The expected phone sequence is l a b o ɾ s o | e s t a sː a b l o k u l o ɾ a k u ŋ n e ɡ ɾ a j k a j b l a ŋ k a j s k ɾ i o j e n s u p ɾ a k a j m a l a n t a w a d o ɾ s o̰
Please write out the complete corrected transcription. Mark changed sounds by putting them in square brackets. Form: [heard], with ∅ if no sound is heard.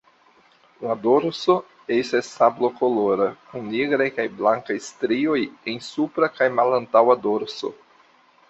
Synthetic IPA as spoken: l a [d] o ɾ s o | e s t a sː a b l o k [o] l o ɾ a k u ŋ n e ɡ ɾ a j k a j b l a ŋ k a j s [t] ɾ i o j e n s u p ɾ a k a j m a l a n t a w a d o ɾ s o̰